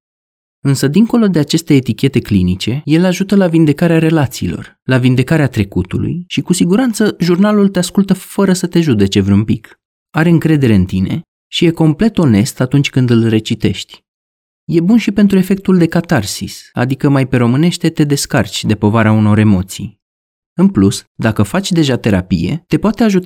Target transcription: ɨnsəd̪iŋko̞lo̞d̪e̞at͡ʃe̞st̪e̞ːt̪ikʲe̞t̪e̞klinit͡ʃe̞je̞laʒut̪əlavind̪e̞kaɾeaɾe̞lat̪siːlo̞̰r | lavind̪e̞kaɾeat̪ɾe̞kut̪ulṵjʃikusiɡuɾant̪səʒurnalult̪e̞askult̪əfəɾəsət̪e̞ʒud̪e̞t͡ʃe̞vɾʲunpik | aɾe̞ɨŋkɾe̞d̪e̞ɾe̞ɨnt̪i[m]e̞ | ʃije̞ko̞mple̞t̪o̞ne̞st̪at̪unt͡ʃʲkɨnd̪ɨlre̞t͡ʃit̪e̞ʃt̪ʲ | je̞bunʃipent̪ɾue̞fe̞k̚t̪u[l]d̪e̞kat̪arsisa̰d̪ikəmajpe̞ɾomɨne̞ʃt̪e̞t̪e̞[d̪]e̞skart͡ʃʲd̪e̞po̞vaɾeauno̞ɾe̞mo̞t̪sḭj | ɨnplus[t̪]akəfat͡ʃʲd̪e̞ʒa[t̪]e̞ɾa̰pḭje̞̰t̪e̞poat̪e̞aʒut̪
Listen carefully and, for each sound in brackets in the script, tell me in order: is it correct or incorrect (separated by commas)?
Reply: incorrect, correct, correct, incorrect, correct